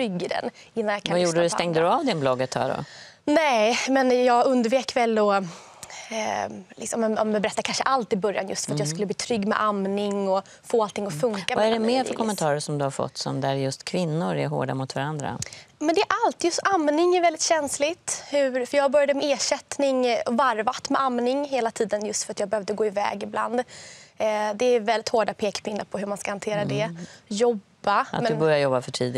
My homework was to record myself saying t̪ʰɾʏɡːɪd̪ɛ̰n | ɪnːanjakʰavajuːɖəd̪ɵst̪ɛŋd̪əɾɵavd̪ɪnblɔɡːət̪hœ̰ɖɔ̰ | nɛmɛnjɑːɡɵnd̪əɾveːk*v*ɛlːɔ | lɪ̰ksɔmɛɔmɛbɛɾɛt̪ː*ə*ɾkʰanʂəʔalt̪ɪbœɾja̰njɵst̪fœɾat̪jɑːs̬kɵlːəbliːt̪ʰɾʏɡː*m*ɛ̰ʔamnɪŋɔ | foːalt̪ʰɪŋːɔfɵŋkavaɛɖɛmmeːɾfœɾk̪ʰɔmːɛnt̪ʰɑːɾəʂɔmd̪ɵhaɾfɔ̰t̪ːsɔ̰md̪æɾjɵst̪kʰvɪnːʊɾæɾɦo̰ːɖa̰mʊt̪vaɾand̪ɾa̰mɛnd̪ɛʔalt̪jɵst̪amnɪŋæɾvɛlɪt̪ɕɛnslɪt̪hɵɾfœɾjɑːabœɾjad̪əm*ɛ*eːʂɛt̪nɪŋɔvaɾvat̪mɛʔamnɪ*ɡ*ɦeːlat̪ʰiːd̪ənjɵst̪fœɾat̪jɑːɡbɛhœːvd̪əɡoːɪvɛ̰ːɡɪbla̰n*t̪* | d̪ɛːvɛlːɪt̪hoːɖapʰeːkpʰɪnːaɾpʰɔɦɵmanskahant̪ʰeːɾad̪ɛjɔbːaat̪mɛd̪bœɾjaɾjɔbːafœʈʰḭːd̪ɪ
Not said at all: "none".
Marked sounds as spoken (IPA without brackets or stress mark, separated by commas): v, a, m, ɛ, ŋ, d̪